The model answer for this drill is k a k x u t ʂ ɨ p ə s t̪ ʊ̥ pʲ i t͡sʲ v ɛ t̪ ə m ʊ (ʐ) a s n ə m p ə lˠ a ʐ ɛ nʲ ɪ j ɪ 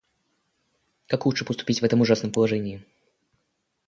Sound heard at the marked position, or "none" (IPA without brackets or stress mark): ʐ